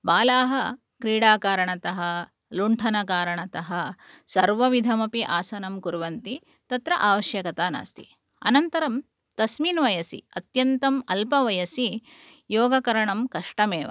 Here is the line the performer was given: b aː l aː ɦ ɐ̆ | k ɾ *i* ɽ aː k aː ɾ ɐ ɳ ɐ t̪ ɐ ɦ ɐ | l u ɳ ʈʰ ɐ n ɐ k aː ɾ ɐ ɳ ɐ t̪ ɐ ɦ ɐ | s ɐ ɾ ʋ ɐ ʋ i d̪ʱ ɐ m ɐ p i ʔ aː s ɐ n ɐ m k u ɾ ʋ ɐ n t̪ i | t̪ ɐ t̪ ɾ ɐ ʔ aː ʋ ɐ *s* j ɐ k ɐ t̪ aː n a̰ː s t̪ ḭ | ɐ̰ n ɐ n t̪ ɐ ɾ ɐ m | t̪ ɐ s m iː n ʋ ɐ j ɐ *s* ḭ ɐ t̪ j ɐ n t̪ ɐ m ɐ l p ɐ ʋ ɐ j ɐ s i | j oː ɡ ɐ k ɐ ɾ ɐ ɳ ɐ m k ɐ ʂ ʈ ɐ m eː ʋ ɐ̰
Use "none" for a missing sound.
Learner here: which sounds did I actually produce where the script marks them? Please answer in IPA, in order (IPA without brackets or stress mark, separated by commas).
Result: iː, ʃ, s